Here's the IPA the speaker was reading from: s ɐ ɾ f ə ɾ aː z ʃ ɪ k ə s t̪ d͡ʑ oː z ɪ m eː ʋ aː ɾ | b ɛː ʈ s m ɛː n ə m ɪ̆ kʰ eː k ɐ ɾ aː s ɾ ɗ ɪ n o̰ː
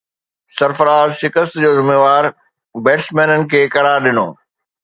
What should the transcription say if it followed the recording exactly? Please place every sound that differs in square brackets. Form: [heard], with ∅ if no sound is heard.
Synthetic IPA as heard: s ɐ ɾ f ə ɾ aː z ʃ ɪ k ə s t̪ d͡ʑ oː z ɪ m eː ʋ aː ɾ | b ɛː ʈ s m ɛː n ə [n] ɪ̆ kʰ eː k ɐ ɾ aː [∅] ɾ ɗ ɪ n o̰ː